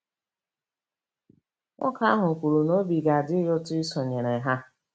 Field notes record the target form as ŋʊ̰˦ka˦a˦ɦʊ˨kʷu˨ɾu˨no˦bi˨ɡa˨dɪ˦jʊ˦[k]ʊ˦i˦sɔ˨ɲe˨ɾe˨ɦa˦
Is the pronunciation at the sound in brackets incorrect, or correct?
incorrect